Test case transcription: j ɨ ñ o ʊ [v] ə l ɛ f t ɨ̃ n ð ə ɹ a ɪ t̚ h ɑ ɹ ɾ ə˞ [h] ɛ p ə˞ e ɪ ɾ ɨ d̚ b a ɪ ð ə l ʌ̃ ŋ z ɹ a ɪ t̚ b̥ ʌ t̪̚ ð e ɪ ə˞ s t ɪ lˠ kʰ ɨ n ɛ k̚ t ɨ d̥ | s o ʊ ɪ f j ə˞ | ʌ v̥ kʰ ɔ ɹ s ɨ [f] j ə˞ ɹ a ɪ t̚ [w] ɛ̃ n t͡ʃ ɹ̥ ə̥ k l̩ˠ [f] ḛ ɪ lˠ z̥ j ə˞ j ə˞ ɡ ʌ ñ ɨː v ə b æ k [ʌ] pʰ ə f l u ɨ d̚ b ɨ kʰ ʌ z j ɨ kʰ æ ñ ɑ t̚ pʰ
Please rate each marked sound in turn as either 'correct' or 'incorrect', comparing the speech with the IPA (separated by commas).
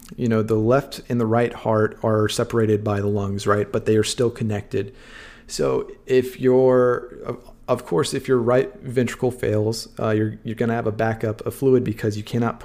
incorrect, incorrect, correct, incorrect, correct, correct